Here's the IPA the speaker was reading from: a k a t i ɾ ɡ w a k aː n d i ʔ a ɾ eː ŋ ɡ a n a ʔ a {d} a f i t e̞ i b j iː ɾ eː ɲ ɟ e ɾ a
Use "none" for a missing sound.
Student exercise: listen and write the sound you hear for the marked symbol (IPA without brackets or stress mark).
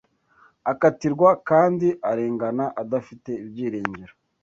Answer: d